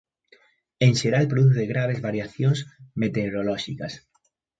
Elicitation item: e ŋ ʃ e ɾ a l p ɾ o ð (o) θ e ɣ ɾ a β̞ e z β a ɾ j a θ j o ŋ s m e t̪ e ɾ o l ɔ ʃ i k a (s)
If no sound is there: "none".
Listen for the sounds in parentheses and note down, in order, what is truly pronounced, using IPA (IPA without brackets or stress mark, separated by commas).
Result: u, s